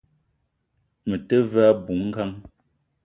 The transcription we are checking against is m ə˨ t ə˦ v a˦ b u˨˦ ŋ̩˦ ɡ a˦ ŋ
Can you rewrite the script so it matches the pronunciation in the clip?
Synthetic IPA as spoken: m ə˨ t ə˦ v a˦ b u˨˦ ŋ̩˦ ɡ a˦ ŋ